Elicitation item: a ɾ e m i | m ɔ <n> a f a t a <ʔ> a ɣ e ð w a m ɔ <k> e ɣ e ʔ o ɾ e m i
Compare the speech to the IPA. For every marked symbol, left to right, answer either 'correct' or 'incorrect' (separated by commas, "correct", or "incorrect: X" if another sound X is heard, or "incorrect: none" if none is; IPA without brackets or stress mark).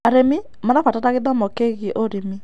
correct, incorrect: t, correct